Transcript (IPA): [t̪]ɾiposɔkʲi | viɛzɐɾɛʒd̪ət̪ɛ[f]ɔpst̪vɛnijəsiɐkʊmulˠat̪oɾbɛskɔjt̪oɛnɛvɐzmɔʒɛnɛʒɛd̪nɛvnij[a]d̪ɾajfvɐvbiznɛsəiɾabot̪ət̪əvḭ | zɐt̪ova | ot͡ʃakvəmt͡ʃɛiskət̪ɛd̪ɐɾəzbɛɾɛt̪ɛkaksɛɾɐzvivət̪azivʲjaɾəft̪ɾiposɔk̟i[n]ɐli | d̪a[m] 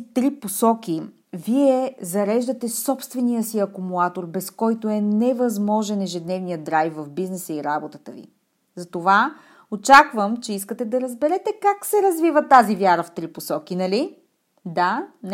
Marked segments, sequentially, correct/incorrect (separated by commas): correct, incorrect, incorrect, correct, incorrect